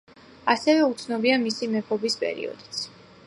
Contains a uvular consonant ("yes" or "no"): no